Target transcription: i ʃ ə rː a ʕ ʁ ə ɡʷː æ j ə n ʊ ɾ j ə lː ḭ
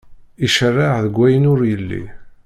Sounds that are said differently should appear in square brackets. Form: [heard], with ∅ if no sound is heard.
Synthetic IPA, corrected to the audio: i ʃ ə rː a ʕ [ð] ə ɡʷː æ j ə n ʊ ɾ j ə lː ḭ